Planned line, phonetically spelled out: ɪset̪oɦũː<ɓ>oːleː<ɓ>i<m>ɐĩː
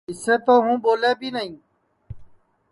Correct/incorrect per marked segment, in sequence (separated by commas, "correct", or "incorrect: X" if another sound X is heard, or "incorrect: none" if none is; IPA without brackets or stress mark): incorrect: b, incorrect: b, incorrect: n